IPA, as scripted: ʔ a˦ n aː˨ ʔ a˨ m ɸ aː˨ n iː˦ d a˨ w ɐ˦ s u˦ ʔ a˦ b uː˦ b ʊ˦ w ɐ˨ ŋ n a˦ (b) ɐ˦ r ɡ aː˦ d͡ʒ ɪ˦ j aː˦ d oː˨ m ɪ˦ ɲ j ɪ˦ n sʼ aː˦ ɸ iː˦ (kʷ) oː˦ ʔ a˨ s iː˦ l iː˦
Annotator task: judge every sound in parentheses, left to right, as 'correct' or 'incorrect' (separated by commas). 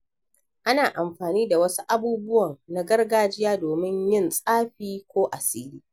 incorrect, correct